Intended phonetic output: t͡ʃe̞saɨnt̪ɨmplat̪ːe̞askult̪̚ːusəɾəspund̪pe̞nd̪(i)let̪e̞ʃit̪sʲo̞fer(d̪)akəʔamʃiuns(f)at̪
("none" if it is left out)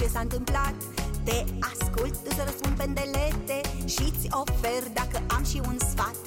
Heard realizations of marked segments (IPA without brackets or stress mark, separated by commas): e, d̪, f